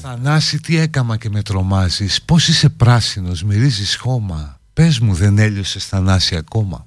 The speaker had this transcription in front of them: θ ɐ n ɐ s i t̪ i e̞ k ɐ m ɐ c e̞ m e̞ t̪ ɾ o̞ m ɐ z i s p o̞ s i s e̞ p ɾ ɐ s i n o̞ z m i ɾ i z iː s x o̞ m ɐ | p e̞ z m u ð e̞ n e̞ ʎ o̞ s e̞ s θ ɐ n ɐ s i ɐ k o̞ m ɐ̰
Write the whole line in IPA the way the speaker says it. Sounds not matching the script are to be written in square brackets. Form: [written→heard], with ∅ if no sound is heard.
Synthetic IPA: θ ɐ n ɐ s i t̪ i e̞ k ɐ m ɐ c e̞ m e̞ t̪ ɾ o̞ m ɐ z i s p o̞ s i s e̞ p ɾ ɐ s i n o̞ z m i ɾ i z [iː→i] s x o̞ m ɐ | p e̞ z m u ð e̞ n e̞ ʎ o̞ s e̞ s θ ɐ n ɐ s i ɐ k o̞ m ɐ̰